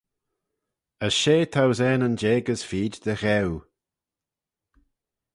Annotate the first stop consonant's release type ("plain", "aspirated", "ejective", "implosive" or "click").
aspirated